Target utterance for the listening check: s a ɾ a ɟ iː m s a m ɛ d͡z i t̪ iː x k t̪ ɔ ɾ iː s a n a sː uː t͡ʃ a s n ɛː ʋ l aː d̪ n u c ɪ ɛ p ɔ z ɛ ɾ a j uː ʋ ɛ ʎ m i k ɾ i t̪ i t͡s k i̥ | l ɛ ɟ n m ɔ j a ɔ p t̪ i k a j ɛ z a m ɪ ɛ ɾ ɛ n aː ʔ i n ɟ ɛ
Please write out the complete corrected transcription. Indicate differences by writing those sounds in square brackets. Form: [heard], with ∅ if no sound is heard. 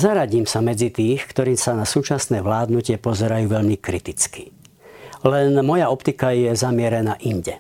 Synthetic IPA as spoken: [z] a ɾ a ɟ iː m s a m ɛ d͡z i t̪ iː x k t̪ ɔ ɾ iː s a n a [s] uː t͡ʃ a s n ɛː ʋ l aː d̪ n u c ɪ ɛ p ɔ z ɛ ɾ a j uː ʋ ɛ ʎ m i k ɾ i t̪ i t͡s k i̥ | l ɛ [∅] n m ɔ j a ɔ p t̪ i k a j ɛ z a m ɪ ɛ ɾ ɛ n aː ʔ i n ɟ ɛ